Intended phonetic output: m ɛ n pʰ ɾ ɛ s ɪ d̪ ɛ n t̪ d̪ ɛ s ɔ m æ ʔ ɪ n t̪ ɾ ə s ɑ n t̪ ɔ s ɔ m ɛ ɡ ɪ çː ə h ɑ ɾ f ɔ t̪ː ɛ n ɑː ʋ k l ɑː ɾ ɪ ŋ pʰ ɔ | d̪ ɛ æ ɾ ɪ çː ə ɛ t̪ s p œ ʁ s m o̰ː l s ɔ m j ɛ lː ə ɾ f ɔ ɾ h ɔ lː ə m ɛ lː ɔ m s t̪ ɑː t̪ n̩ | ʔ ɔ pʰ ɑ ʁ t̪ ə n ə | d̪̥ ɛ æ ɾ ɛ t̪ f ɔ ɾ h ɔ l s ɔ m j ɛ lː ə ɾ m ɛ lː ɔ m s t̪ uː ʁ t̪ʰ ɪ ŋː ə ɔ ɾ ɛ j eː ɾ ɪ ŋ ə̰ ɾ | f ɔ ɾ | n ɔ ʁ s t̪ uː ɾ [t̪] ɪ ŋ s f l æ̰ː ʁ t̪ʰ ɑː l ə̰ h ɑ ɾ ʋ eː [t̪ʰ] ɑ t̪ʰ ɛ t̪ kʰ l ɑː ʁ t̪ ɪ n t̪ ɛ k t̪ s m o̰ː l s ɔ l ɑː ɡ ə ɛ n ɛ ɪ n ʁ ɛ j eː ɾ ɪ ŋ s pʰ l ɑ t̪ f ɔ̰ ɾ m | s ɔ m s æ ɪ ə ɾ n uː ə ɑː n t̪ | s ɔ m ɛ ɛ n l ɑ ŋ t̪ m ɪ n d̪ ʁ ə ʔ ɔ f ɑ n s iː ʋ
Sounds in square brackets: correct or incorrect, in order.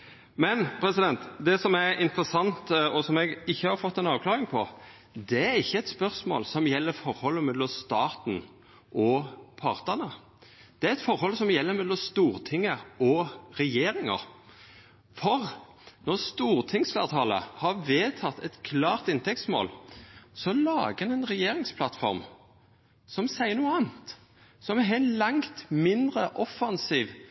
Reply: incorrect: t̪ʰ, correct

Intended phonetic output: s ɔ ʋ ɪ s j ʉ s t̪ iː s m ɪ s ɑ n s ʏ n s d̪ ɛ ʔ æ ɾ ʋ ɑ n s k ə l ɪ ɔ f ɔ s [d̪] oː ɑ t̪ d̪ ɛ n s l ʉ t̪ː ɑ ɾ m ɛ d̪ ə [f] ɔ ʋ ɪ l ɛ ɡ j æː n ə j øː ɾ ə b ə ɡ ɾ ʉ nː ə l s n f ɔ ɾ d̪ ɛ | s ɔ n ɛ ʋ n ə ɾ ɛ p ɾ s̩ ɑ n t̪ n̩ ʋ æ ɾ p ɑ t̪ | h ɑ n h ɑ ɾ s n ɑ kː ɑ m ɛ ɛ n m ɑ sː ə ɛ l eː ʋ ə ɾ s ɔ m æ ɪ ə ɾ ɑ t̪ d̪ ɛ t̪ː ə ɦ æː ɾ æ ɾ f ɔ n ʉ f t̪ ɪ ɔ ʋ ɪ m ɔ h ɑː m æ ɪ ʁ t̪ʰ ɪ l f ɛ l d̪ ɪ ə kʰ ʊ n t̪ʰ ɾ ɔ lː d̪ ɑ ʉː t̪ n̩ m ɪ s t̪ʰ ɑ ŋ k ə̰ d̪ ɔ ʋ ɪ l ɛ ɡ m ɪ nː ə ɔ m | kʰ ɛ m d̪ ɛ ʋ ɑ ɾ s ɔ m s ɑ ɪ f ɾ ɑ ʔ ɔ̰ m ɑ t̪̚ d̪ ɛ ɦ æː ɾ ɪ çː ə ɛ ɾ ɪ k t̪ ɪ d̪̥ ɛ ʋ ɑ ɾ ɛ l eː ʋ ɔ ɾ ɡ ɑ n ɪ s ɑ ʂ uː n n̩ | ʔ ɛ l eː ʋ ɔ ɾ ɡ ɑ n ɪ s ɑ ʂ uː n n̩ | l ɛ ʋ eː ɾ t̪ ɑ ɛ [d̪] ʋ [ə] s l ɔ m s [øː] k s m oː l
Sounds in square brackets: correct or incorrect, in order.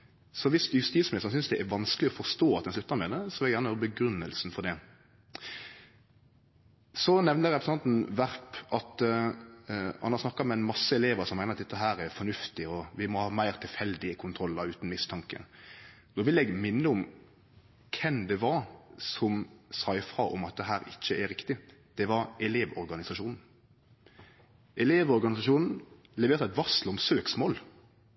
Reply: incorrect: t̪, incorrect: s, incorrect: t̪, incorrect: ɑ, correct

